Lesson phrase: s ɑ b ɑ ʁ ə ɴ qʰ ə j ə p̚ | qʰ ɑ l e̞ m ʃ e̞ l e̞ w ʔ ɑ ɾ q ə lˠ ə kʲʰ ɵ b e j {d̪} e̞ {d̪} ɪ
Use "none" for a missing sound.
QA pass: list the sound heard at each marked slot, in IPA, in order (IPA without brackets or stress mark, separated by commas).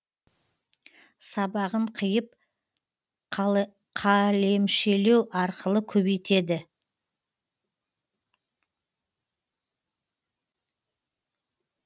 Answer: t̪, d̪